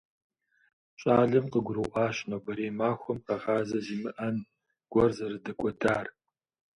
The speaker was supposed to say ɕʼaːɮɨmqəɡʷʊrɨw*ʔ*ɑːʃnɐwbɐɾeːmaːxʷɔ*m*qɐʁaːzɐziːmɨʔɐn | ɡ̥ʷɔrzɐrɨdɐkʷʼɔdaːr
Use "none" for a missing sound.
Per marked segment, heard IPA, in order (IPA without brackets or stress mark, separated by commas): ʔ, m